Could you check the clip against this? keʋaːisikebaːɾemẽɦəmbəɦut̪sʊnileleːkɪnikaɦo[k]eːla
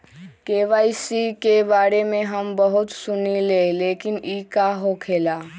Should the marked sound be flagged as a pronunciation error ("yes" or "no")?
yes